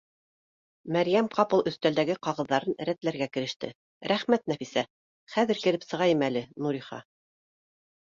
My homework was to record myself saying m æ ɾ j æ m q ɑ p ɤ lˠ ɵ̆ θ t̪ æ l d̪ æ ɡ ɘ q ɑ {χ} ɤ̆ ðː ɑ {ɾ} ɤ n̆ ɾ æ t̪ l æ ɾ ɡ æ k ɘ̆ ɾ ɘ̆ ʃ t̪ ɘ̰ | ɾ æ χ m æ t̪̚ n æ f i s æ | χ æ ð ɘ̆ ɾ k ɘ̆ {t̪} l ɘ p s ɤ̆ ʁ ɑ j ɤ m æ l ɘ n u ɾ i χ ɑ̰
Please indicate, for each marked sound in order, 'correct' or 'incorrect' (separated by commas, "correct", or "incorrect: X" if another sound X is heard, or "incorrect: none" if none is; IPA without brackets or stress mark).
incorrect: ʁ, correct, incorrect: none